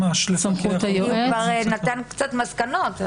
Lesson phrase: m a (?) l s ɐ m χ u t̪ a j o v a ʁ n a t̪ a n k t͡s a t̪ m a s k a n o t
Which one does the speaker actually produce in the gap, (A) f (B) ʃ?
B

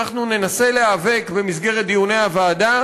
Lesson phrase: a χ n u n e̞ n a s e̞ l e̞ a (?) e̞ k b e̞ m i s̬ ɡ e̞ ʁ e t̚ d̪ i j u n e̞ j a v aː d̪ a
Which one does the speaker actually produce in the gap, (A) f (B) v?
B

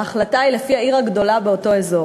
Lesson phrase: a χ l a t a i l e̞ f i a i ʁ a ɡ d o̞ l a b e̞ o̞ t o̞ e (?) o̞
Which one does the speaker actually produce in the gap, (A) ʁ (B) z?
B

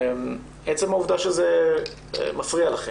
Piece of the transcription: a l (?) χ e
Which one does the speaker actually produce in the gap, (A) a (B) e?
A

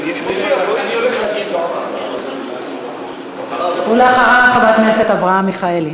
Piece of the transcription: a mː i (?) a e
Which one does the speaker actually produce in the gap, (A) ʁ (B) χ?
B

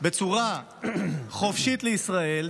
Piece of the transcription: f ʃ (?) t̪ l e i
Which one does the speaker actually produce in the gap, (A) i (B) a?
A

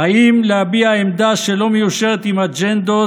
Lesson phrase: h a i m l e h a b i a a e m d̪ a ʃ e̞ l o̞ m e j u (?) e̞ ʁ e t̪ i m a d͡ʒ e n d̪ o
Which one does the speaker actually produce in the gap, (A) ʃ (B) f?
A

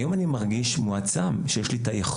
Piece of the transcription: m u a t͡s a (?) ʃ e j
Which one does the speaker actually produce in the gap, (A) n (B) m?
B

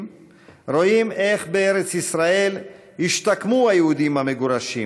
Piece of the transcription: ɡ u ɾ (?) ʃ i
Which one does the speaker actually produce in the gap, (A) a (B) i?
A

